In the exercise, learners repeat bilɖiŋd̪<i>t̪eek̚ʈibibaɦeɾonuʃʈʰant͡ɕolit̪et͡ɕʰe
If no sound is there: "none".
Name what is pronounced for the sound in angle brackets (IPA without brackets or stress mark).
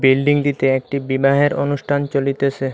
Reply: i